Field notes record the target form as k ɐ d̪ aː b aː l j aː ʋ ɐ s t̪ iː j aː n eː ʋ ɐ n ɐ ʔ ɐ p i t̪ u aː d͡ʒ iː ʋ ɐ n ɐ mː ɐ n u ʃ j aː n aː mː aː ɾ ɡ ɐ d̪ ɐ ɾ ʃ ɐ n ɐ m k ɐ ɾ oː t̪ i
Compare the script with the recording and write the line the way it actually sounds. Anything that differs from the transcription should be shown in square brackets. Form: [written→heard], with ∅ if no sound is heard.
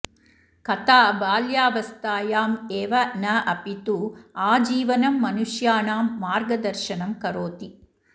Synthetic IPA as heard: k ɐ [d̪→t̪] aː b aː l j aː ʋ ɐ s t̪ [iː→aː] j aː [n→m] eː ʋ ɐ n ɐ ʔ ɐ p i t̪ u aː d͡ʒ iː ʋ ɐ n ɐ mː ɐ n u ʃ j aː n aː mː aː ɾ ɡ ɐ d̪ ɐ ɾ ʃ ɐ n ɐ m k ɐ ɾ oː t̪ i